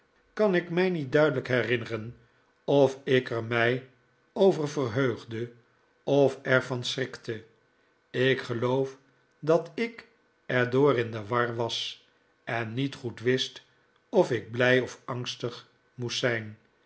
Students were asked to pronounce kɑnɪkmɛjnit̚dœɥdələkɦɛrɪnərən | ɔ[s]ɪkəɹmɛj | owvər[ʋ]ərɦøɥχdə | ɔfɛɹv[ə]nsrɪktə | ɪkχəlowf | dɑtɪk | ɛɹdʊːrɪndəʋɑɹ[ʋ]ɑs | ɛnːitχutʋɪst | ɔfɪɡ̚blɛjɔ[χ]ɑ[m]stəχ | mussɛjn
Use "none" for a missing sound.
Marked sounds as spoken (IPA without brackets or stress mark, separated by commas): f, v, ɑ, ʋ, f, ŋ